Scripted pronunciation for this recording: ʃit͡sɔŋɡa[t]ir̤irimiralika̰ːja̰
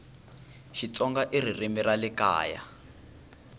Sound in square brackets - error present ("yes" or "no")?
yes